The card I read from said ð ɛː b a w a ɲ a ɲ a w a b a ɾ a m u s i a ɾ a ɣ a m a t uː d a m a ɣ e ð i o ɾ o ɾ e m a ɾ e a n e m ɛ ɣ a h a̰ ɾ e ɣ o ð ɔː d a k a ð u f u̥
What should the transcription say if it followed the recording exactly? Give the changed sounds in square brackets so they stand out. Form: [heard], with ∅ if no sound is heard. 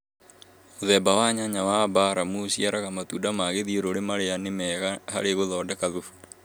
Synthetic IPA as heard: ð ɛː b a w a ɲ a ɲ a w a b a ɾ a m u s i a ɾ a ɣ a m a t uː d a m a ɣ e ð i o ɾ o ɾ e m a ɾ e a n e m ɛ ɣ a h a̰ ɾ e ɣ o ð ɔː d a k a ð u f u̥